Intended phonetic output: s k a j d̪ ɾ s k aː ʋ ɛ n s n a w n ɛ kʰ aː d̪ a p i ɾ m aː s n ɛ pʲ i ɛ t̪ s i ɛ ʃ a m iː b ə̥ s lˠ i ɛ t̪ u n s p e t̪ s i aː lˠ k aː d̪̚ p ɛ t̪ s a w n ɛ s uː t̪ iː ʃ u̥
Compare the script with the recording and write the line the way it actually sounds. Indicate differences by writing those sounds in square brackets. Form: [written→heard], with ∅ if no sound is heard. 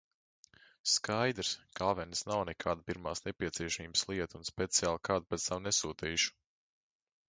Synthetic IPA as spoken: s k a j d̪ ɾ s k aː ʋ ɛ n s n a w n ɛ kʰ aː d̪ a p i ɾ m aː s n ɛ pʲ i ɛ t̪ s i ɛ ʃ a m iː b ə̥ s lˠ i ɛ t̪ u n s p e t̪ s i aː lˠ k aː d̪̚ p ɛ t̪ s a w n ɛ s uː t̪ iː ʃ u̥